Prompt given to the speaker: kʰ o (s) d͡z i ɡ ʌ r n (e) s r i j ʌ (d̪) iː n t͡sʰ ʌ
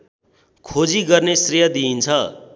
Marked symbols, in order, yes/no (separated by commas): no, yes, yes